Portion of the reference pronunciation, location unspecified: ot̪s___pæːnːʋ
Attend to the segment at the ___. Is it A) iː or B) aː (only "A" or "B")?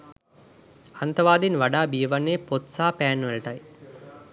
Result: B